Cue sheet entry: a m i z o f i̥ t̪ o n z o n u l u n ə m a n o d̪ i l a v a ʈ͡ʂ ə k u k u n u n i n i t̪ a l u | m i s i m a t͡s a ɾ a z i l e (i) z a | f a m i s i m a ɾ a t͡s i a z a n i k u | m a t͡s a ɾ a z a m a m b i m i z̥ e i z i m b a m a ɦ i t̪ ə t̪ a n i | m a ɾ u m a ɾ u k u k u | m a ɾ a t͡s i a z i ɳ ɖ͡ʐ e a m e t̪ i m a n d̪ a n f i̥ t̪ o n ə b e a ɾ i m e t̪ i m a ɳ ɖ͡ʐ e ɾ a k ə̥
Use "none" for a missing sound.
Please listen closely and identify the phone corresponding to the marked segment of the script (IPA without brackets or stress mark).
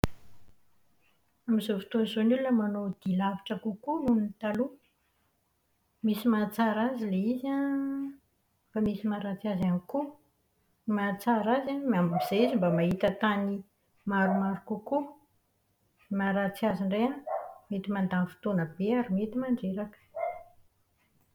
i